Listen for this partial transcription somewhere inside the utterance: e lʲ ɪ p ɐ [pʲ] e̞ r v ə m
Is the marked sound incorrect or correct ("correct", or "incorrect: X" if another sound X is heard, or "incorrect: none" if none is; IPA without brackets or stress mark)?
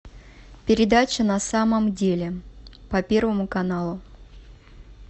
correct